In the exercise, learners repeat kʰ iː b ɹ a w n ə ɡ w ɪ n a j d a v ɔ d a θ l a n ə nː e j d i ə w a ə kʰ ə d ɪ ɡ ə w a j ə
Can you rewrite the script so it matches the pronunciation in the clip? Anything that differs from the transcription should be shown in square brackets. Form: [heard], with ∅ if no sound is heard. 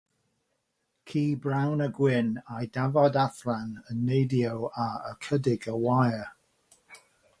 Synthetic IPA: kʰ iː b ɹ a w n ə ɡ w ɪ n a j d a v ɔ d a θ l a n ə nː e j d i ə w a ə kʰ ə d ɪ ɡ ə w a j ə